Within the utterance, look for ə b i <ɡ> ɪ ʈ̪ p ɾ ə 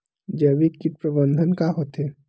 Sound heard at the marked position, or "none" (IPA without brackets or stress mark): k